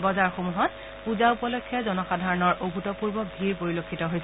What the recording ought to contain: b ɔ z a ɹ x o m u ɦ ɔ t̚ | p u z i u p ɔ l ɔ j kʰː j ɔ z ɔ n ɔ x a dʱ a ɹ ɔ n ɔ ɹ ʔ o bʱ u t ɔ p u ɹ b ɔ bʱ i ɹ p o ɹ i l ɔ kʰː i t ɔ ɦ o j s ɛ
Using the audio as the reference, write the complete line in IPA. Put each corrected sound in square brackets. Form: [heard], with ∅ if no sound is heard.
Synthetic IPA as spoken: b ɔ z a ɹ x o m u ɦ ɔ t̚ | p u z [a] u p ɔ l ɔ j kʰː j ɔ z ɔ n ɔ x a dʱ a ɹ ɔ n ɔ ɹ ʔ o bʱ u t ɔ p u ɹ b ɔ bʱ i ɹ p o ɹ i l [o] kʰː i t ɔ ɦ o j s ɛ